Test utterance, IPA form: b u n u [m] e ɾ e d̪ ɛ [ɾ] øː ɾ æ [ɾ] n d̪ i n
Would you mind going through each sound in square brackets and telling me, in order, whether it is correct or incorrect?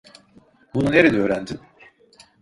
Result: incorrect: n, incorrect: none, incorrect: none

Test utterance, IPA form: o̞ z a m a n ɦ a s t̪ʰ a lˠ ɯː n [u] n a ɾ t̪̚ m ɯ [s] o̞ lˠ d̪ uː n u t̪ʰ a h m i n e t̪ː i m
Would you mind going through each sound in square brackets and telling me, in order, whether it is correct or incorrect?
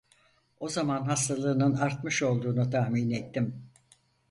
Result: incorrect: ɯ, incorrect: ʃ

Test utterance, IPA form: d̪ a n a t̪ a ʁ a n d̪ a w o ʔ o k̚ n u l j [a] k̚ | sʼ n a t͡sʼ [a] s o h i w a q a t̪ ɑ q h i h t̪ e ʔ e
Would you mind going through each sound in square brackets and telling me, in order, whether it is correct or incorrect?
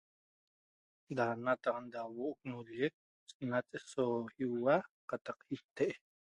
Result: incorrect: e, incorrect: e

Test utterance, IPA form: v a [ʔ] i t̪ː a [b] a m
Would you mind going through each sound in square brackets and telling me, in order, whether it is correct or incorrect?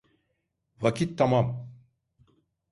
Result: incorrect: k, incorrect: m

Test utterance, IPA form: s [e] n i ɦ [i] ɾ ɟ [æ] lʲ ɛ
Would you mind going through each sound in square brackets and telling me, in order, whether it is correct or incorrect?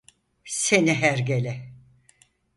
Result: correct, incorrect: æ, incorrect: e

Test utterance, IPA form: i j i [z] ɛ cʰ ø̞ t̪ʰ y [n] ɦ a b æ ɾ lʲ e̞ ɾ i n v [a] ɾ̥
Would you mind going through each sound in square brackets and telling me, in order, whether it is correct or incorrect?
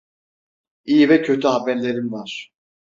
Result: incorrect: v, incorrect: none, correct

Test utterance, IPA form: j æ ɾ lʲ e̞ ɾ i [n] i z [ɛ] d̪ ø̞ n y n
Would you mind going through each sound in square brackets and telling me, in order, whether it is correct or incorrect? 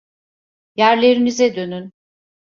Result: correct, correct

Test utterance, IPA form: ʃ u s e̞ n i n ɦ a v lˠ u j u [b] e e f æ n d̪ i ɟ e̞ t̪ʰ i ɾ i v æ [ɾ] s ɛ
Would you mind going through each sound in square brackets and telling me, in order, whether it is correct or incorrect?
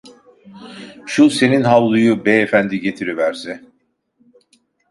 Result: correct, correct

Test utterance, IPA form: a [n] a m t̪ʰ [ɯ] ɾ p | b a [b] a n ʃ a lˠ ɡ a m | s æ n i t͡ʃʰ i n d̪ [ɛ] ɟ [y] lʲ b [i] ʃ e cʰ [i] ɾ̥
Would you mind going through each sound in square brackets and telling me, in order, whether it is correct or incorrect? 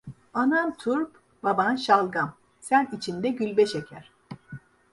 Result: correct, incorrect: u, correct, correct, correct, incorrect: ɛ, incorrect: æ

